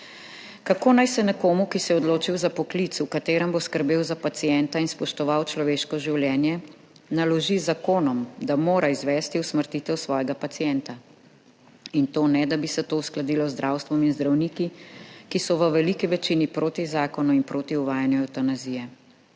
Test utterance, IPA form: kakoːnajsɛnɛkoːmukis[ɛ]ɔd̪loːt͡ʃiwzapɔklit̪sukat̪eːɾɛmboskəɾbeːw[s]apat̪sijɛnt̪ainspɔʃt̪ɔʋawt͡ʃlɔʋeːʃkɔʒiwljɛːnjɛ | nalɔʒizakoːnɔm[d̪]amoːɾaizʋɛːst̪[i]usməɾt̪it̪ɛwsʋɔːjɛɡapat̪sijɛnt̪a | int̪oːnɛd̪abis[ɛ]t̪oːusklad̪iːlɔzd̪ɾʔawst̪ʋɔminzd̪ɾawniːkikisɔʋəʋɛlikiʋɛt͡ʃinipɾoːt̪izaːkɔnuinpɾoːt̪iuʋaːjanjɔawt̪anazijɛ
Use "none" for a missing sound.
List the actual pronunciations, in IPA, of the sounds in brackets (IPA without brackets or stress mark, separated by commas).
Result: ɛ, z, d̪, i, ɛ